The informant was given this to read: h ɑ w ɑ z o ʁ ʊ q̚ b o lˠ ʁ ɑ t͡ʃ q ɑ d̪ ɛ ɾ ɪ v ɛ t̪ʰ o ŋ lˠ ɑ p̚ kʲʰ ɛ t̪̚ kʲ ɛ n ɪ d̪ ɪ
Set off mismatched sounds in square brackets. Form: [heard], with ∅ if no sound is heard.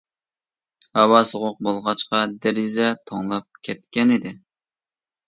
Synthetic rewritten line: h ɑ w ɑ [s] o ʁ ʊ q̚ b o lˠ ʁ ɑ t͡ʃ q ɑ d̪ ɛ ɾ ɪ [z] ɛ t̪ʰ o ŋ lˠ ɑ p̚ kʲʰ ɛ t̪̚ kʲ ɛ n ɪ d̪ ɪ